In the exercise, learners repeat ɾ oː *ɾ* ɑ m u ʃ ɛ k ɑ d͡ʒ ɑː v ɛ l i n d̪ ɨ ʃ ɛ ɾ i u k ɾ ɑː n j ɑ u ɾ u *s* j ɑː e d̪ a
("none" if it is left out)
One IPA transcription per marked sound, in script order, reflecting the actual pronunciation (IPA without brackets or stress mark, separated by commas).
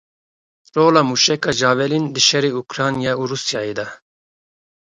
l, s